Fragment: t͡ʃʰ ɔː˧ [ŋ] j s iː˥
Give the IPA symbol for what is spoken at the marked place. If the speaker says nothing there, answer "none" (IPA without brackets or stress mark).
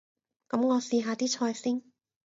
none